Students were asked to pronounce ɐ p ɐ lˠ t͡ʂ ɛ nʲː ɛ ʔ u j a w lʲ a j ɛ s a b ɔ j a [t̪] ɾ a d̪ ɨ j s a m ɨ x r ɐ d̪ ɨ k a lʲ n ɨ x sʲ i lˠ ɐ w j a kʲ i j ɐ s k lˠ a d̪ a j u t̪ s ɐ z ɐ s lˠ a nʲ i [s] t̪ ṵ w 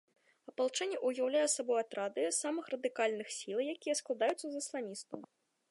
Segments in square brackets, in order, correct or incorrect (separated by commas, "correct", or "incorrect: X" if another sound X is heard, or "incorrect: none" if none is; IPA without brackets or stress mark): correct, correct